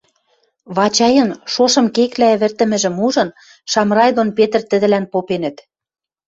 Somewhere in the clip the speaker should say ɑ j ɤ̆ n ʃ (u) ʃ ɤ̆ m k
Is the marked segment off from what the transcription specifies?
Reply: yes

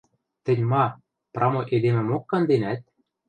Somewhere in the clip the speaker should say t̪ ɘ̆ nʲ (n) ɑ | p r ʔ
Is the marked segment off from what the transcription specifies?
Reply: yes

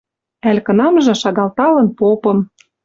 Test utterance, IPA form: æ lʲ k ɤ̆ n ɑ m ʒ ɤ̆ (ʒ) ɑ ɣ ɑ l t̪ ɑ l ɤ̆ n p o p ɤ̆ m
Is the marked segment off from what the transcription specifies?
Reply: yes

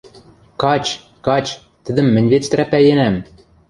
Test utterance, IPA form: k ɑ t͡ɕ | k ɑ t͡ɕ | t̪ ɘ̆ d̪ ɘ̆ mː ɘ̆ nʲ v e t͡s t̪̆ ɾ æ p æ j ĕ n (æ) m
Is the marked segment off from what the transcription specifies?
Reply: no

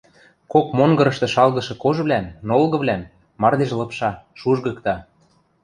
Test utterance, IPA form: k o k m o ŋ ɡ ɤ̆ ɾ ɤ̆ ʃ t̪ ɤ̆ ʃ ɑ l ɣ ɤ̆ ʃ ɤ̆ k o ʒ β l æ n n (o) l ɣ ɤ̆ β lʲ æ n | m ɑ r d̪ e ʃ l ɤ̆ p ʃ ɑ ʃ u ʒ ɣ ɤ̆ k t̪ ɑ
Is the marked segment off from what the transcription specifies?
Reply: no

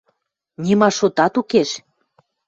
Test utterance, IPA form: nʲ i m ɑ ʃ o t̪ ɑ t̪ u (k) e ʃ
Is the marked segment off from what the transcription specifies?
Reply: no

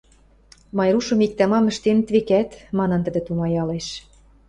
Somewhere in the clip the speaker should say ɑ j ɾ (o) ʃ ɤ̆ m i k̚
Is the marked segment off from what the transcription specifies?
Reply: yes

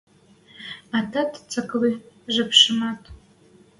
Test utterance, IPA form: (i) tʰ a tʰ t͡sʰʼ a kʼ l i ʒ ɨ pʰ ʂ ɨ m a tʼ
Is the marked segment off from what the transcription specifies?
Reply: yes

